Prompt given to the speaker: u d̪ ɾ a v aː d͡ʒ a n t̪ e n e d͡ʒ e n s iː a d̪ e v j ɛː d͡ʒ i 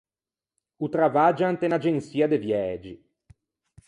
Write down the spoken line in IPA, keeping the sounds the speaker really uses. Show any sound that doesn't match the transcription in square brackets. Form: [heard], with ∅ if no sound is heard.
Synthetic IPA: u [t̪] ɾ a v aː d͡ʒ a n t̪ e n [a] d͡ʒ e n s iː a d̪ e v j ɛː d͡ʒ i